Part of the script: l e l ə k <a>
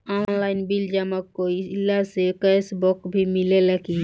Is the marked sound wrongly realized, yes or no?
yes